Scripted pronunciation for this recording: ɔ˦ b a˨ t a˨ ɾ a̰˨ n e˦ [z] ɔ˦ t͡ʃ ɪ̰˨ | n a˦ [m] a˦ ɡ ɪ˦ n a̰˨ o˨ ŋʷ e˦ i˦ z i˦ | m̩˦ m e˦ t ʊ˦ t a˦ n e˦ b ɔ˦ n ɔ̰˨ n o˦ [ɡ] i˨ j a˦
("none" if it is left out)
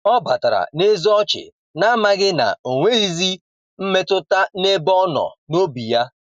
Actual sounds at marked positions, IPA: z, m, b

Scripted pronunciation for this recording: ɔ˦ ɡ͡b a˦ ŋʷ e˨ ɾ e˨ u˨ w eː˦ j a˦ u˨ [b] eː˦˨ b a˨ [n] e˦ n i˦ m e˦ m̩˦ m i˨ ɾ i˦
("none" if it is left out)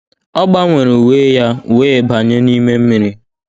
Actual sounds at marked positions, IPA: w, ɲ

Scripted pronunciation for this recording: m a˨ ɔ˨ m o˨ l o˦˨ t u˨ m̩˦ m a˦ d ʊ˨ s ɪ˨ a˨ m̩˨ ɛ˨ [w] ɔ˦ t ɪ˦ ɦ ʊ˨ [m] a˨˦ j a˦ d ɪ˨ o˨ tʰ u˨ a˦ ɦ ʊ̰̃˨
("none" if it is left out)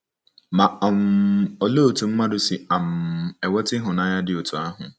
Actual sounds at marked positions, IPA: w, n

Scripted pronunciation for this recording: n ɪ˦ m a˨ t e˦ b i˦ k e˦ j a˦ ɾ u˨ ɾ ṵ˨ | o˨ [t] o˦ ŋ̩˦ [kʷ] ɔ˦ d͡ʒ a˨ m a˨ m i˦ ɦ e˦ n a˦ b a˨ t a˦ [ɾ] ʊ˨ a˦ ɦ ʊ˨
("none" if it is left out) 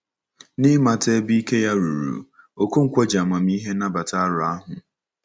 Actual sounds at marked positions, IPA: k, kʷ, ɾ

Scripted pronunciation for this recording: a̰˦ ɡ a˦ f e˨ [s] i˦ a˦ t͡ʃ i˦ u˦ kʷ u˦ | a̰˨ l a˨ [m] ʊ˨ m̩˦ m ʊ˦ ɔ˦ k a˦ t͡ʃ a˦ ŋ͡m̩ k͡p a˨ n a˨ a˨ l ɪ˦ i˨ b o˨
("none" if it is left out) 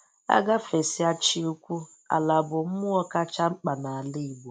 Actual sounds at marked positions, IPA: s, b

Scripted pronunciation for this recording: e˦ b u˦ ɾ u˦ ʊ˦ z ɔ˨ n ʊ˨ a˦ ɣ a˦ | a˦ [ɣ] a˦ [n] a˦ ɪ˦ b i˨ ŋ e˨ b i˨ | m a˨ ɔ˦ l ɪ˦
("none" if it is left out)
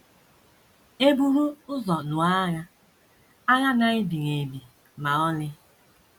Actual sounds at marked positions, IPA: ɣ, n

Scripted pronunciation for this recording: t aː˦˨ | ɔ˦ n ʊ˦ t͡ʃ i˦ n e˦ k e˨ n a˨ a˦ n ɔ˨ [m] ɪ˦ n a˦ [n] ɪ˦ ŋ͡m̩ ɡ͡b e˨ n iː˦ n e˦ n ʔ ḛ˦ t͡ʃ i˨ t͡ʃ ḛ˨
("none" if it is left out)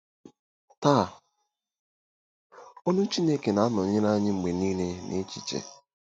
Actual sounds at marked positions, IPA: ɲ, ɲ

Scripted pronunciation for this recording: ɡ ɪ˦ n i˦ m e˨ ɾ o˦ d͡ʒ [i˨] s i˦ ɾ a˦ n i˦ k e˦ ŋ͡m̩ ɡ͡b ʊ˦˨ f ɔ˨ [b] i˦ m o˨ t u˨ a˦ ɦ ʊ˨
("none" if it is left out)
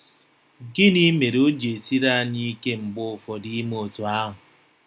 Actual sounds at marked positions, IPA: e˨, d

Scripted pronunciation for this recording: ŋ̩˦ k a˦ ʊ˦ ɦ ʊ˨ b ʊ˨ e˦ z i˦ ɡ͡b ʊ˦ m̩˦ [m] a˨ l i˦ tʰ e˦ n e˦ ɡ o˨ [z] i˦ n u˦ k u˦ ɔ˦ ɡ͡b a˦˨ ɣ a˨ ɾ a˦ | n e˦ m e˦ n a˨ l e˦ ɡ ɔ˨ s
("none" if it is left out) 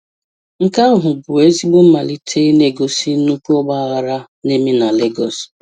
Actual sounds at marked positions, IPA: m, s

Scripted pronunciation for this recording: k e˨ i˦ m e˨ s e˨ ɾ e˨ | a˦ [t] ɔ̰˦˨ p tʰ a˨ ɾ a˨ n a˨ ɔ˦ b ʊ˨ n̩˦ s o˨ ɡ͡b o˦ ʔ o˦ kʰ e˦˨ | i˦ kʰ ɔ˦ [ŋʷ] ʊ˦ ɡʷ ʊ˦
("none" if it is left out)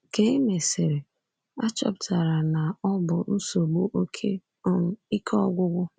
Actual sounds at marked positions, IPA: t͡ʃ, ɡʷ

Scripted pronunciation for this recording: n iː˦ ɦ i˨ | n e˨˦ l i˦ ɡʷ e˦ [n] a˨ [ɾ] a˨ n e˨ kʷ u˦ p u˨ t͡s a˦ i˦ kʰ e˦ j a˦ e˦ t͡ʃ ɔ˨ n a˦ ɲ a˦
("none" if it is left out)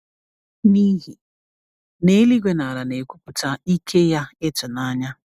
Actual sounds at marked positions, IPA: n, ɾ

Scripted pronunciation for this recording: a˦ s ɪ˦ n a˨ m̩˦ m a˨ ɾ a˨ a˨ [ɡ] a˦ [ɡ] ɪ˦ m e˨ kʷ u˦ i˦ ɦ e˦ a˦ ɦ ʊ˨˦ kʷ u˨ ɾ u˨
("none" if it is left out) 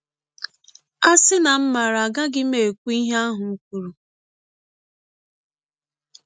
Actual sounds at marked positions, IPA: ɡ, ɡ

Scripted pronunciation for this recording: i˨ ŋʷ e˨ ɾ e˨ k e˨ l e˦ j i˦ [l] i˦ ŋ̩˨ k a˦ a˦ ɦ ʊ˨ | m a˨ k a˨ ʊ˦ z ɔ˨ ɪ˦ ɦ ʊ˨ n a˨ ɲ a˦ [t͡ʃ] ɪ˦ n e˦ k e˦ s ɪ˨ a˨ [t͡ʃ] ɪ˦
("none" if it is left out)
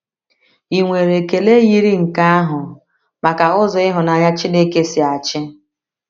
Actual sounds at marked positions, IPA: ɾ, t͡ʃ, t͡ʃ

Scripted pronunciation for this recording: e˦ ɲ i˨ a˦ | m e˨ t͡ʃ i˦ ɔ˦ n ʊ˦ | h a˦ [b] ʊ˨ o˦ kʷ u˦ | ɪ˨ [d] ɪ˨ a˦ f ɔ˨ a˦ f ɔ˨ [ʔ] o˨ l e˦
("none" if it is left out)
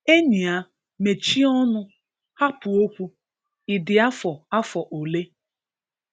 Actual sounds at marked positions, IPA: p, d, ʔ

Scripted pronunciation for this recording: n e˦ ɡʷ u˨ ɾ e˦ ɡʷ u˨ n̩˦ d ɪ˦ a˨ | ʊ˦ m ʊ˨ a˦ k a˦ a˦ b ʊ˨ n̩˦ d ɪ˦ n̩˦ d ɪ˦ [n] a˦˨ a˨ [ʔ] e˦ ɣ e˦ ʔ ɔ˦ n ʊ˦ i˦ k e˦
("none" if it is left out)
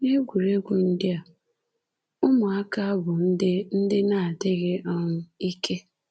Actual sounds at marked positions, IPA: n, t

